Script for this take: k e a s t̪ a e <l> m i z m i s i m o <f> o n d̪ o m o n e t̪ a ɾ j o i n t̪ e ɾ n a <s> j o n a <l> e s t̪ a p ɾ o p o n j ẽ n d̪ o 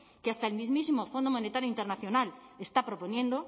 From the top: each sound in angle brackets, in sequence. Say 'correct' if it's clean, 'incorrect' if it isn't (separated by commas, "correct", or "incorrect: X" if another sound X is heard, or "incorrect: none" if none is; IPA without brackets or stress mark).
correct, correct, incorrect: θ, correct